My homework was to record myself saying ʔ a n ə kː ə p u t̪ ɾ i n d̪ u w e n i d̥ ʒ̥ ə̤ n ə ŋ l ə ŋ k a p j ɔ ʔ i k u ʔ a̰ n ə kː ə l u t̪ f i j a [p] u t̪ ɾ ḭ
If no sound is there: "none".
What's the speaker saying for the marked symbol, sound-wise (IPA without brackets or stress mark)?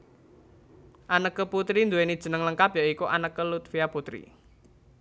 p